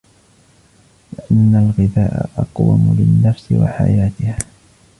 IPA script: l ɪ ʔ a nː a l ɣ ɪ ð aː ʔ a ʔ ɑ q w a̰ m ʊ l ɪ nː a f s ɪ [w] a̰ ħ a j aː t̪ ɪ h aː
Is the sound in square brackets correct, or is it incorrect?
correct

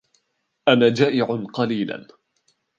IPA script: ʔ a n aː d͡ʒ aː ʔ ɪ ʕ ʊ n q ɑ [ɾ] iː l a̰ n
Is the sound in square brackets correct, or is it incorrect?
incorrect: l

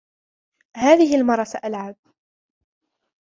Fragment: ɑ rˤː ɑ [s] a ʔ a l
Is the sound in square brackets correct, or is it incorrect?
correct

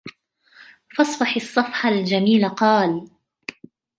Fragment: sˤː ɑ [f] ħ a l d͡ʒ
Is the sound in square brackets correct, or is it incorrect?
correct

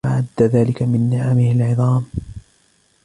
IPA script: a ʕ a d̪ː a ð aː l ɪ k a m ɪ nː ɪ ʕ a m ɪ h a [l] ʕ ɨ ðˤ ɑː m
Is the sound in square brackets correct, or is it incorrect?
correct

